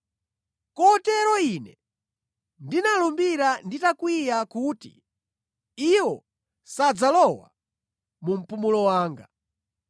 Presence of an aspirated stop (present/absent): absent